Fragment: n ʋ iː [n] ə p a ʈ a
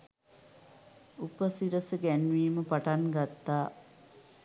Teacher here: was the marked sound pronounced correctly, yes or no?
no